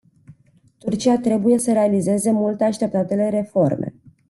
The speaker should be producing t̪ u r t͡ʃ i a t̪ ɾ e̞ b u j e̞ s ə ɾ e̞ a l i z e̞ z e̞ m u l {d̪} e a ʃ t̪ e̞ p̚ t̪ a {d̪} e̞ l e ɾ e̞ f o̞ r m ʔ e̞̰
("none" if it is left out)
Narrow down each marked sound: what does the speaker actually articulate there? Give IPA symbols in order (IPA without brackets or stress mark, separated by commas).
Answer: t̪, t̪